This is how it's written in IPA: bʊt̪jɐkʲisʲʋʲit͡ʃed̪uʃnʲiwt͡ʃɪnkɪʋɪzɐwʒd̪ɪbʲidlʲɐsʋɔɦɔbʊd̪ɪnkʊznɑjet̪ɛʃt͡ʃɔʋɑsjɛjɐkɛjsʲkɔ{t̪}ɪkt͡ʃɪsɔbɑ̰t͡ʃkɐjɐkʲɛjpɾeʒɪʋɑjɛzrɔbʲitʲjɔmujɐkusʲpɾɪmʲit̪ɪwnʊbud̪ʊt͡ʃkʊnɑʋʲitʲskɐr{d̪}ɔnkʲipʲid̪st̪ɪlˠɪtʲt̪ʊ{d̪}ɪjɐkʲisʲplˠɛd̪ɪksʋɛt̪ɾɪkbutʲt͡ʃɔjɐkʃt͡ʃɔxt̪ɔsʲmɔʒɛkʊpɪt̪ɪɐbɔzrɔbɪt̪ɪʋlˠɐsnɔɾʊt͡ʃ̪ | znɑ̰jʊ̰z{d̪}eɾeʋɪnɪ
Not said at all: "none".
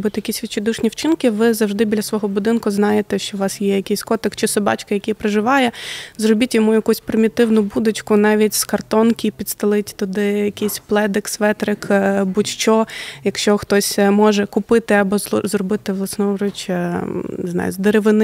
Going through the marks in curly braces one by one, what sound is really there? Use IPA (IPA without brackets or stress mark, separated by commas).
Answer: t̪, t̪, d̪, d̪